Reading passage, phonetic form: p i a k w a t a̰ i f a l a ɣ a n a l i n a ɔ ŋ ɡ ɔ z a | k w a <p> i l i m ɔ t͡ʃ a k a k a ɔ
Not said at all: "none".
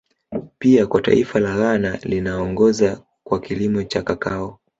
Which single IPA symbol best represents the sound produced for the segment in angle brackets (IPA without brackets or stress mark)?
k